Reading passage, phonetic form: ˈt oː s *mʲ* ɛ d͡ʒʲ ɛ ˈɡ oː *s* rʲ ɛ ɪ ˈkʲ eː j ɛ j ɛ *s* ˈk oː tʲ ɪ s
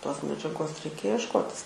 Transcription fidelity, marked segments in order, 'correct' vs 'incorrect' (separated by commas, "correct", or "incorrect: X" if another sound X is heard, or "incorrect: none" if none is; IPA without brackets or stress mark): correct, correct, incorrect: ʃ